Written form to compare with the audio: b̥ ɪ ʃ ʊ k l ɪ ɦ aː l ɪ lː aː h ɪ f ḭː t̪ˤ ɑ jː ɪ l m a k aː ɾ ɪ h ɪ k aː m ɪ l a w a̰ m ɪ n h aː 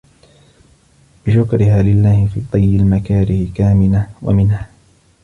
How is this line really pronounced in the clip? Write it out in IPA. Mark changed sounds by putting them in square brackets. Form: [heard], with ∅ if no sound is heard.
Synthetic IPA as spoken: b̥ ɪ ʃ ʊ k [ɾ] ɪ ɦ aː l ɪ lː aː h ɪ f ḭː t̪ˤ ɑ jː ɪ l m a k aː ɾ ɪ h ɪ k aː m ɪ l a w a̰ m ɪ n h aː